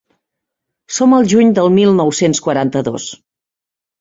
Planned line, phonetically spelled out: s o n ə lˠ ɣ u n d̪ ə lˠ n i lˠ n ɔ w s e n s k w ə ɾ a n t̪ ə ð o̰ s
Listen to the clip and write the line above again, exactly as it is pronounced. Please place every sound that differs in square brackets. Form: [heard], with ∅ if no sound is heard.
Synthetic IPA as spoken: s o [m] ə lˠ [ʒ] u [ɲ] d̪ ə lˠ [m] i lˠ n ɔ w s e n s k w ə ɾ a n t̪ ə ð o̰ s